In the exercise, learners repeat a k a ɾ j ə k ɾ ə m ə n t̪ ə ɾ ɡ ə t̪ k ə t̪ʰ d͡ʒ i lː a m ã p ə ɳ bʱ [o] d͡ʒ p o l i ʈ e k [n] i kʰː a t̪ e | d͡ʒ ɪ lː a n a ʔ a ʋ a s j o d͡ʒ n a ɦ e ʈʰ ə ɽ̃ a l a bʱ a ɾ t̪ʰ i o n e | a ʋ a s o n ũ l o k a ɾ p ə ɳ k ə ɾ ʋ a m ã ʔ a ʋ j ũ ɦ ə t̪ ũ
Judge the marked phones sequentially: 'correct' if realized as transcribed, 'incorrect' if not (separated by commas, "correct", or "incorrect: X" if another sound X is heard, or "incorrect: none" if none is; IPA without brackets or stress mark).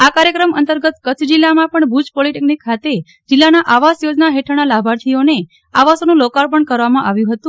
incorrect: u, correct